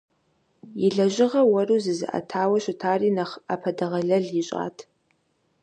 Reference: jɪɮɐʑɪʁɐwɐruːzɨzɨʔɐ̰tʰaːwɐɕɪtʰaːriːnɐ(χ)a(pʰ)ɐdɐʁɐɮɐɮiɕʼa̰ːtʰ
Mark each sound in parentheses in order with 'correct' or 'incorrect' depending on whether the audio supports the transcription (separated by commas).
correct, correct